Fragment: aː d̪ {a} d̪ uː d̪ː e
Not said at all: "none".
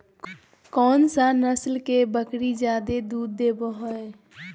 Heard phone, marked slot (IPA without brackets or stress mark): e